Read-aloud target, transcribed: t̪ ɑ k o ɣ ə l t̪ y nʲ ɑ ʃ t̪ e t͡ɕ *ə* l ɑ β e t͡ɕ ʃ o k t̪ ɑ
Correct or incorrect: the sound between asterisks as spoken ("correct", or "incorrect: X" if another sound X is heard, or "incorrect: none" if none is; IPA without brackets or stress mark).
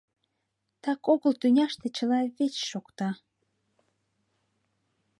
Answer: correct